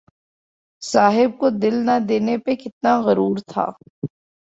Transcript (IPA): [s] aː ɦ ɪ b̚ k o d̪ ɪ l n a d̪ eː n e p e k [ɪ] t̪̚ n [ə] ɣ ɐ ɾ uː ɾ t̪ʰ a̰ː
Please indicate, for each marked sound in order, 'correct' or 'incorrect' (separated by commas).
correct, correct, incorrect